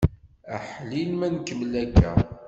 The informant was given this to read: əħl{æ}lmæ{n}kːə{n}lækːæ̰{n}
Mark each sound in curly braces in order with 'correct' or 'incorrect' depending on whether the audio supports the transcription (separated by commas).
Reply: incorrect, correct, incorrect, incorrect